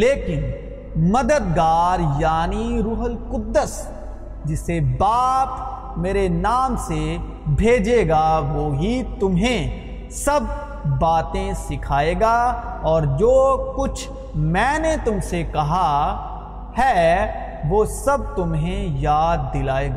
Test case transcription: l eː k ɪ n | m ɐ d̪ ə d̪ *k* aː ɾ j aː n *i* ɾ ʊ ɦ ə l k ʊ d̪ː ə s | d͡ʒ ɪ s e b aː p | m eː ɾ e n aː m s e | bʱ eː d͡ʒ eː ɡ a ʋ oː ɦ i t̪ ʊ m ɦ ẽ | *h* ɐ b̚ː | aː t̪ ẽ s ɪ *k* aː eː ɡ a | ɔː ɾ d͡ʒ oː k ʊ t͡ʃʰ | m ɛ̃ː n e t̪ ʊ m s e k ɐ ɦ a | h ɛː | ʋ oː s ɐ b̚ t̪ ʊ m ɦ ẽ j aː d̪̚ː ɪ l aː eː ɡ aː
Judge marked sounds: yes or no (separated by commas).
no, yes, no, no